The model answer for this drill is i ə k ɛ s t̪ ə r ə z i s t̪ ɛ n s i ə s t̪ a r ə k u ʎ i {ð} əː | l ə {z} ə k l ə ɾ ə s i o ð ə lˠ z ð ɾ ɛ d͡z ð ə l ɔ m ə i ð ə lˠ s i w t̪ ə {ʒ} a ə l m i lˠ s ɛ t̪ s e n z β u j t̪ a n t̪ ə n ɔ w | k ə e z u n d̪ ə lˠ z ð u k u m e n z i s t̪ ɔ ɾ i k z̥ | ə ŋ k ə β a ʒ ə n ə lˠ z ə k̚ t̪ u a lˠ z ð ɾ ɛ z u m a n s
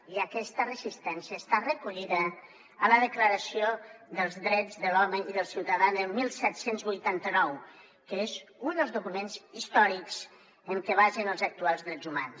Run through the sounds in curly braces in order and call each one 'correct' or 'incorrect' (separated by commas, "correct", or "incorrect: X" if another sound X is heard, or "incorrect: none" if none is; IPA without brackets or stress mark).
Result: correct, incorrect: ð, incorrect: ð